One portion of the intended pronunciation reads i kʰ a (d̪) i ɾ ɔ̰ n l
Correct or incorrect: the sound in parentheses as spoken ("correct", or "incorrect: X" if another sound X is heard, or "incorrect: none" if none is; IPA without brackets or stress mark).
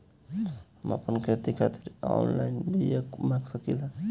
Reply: incorrect: t̪